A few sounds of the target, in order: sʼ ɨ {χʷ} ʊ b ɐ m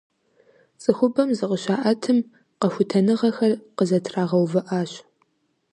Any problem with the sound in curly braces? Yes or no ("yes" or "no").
yes